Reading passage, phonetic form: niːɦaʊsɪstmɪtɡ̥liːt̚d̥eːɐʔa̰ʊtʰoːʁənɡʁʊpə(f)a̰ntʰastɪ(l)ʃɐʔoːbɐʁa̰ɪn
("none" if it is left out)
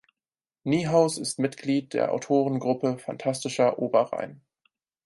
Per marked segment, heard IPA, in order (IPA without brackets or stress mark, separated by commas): f, none